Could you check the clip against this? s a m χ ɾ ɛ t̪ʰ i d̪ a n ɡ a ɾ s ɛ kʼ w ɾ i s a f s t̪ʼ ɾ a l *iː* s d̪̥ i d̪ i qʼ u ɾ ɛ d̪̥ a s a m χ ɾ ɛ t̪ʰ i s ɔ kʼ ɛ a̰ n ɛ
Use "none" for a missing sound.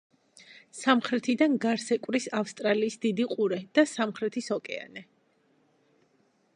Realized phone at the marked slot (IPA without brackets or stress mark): iː